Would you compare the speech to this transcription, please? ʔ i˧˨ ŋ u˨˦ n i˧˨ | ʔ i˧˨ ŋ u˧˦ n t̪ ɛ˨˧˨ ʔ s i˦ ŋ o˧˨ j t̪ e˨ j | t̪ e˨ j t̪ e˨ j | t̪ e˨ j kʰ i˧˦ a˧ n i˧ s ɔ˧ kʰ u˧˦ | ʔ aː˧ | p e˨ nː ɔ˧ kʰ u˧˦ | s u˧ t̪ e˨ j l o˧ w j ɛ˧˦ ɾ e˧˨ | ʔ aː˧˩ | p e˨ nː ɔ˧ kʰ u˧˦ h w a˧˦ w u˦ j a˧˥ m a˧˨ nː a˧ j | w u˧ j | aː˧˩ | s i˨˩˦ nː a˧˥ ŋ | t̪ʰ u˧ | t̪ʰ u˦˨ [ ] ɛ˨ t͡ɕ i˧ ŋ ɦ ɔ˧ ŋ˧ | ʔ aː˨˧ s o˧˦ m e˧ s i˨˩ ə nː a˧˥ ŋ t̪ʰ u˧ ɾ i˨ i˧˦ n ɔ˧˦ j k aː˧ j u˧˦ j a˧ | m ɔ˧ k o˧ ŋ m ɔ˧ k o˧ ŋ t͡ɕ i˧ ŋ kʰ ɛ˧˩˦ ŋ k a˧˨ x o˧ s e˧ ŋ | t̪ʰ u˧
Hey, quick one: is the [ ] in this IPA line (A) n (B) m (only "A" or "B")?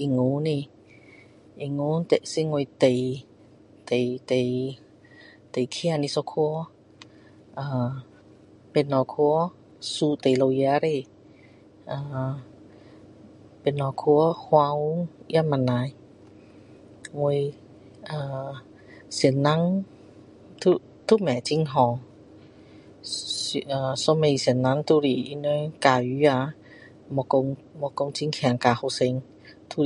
B